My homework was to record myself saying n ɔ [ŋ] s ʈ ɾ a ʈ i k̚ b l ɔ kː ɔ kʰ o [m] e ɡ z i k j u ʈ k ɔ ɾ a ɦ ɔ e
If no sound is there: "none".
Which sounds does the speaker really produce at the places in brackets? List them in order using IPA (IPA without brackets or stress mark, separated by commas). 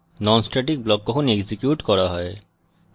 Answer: n, n